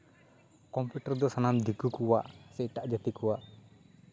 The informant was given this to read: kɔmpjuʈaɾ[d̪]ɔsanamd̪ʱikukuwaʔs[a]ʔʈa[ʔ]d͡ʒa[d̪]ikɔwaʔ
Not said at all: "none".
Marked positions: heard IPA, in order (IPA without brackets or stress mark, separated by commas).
d̪, ɛ, ʔ, t̪